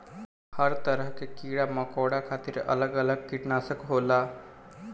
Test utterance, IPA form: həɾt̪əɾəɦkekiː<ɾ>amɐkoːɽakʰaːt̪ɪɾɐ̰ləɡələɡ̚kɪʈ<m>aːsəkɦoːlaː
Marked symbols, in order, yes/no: no, no

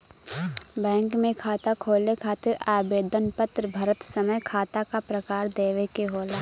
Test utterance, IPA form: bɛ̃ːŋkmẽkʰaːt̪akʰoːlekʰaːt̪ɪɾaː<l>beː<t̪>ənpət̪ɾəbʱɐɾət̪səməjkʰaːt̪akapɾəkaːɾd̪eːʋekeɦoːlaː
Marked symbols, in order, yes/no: no, no

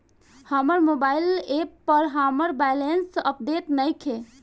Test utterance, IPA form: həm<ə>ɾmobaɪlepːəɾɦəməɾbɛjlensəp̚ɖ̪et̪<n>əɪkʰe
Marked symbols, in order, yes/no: yes, yes

